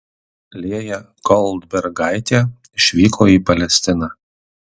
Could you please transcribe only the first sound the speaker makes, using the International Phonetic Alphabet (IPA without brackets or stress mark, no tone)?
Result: lʲ